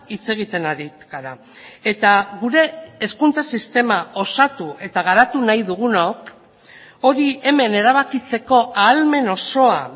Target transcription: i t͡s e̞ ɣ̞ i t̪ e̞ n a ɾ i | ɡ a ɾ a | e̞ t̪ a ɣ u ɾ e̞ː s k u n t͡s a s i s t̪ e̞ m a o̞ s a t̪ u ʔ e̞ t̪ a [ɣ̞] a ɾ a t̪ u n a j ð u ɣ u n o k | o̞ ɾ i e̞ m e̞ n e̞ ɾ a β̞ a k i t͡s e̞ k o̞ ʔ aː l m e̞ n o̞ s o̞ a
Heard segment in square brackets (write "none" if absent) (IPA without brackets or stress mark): ɣ̞